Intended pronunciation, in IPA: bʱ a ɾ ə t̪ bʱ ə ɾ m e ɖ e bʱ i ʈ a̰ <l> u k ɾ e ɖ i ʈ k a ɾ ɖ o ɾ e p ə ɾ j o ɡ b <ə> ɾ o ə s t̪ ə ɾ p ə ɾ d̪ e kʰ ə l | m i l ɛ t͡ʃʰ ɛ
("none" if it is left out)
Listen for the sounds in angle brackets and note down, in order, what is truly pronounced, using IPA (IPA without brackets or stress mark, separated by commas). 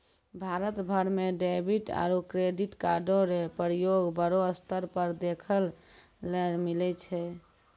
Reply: ɾ, ə